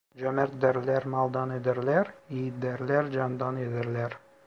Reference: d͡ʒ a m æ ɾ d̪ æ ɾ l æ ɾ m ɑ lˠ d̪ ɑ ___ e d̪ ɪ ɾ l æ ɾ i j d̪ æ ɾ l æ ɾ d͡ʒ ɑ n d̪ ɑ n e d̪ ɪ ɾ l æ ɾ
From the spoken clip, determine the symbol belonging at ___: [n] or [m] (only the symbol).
n